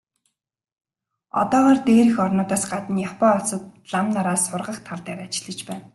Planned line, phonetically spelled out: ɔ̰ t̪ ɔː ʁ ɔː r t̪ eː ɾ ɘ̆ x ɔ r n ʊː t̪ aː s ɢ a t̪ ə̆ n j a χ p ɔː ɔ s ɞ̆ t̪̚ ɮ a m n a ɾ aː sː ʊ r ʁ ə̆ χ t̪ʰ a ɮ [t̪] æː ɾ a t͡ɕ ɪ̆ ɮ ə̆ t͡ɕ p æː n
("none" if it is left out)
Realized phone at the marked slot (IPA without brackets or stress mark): t̪